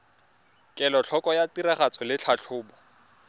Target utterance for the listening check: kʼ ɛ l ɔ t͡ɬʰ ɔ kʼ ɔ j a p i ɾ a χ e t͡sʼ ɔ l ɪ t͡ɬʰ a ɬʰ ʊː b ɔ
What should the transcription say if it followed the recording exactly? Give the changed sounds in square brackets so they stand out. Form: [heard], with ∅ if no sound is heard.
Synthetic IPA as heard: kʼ ɛ l ɔ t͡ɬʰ ɔ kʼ ɔ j a [t] i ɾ a χ [a] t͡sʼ ɔ l ɪ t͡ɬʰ a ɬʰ ʊː b ɔ